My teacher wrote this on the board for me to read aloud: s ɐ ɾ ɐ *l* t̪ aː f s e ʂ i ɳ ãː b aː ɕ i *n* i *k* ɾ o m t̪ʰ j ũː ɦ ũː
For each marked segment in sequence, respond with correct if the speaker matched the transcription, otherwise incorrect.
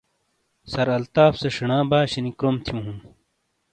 correct, correct, correct

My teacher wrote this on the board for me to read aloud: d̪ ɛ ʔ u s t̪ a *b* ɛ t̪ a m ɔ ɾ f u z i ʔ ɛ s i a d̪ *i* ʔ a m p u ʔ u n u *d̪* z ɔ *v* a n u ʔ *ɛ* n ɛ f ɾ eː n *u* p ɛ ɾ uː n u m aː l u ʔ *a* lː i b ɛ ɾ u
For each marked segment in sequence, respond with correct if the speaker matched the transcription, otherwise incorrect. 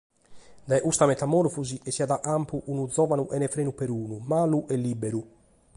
incorrect: m, incorrect: a, correct, correct, correct, correct, incorrect: ɛ

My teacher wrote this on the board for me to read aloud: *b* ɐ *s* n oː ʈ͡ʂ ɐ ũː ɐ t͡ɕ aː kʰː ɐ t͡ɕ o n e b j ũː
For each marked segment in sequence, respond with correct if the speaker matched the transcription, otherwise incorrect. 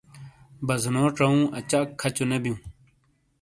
correct, incorrect: z

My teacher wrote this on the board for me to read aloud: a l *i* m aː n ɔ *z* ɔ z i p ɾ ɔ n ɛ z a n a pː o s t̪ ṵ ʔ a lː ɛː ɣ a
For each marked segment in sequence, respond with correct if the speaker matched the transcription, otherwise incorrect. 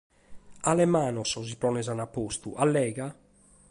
incorrect: ɛ, incorrect: s

